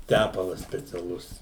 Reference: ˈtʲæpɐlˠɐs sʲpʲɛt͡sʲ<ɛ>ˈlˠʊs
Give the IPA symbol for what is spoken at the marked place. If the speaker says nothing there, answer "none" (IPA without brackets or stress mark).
ɛ